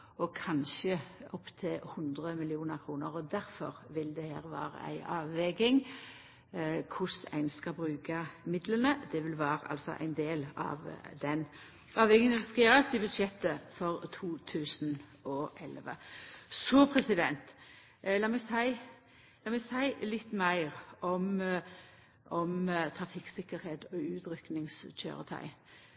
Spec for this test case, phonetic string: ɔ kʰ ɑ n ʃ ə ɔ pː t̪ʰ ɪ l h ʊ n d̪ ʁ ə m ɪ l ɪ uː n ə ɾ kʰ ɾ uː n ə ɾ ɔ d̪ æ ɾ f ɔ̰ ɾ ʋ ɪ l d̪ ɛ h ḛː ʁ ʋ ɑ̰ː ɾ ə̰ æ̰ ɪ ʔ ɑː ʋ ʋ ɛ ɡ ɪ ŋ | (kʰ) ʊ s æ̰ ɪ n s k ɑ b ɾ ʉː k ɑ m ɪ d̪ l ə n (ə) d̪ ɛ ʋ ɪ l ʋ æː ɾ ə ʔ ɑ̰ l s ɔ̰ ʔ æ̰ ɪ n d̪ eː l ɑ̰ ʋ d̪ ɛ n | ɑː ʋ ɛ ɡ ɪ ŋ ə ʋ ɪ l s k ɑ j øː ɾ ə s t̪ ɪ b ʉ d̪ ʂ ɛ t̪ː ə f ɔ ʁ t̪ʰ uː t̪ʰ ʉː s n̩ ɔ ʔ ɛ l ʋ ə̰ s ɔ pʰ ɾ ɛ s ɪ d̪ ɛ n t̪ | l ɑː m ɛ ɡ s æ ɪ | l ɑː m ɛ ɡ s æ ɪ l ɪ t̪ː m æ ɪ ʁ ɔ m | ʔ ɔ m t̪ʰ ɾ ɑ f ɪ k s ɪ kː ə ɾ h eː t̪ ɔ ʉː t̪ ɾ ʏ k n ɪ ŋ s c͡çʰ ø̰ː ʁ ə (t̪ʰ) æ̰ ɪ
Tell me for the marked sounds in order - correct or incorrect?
correct, correct, correct

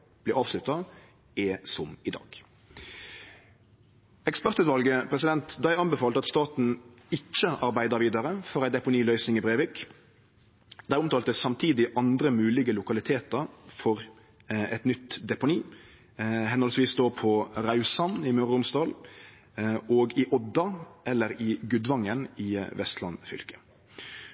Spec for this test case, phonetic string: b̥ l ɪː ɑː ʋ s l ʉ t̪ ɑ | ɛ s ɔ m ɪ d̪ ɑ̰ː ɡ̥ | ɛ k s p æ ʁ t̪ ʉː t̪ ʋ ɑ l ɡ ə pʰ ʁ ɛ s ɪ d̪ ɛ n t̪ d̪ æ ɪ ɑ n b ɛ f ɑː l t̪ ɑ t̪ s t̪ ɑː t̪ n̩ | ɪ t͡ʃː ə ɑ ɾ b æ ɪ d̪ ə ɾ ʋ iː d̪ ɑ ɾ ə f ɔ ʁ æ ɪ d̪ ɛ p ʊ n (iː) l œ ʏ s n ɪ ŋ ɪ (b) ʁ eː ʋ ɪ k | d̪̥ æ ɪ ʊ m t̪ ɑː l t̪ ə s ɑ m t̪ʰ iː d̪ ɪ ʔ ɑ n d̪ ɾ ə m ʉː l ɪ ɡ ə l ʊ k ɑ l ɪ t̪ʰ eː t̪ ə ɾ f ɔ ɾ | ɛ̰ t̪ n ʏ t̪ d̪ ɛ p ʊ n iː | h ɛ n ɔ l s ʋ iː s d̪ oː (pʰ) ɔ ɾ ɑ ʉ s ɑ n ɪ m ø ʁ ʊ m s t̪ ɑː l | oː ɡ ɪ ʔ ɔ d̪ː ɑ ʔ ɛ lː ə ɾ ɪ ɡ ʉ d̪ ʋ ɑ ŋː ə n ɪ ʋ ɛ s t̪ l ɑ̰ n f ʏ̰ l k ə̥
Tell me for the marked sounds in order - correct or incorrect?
correct, correct, correct

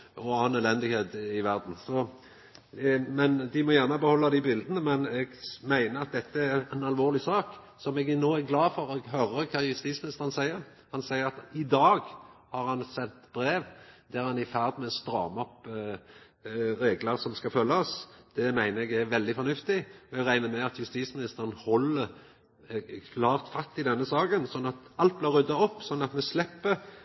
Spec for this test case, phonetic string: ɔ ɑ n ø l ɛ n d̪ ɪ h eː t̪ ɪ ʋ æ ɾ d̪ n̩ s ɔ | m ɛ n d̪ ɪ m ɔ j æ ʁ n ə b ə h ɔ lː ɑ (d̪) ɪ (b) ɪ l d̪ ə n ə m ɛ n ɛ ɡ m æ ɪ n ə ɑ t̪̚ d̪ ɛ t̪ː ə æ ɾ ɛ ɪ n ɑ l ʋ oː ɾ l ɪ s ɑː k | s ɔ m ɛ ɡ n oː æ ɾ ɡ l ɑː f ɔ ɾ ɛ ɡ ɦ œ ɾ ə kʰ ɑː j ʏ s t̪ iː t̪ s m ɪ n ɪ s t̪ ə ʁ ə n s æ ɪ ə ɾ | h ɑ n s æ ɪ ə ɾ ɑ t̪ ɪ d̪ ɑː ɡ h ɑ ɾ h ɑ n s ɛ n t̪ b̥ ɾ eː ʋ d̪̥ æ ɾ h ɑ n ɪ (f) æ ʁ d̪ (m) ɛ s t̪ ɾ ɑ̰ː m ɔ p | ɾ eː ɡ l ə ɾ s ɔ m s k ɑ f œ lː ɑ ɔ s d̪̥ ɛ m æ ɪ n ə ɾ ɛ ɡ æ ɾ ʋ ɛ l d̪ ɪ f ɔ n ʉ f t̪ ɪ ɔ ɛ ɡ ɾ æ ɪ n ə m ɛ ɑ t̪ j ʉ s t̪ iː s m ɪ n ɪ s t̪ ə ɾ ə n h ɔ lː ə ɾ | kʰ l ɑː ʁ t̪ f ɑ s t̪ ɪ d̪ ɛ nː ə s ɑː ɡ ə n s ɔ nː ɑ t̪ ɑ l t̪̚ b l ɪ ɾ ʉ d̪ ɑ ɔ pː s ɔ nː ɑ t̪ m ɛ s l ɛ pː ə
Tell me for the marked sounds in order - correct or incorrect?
correct, correct, correct, correct

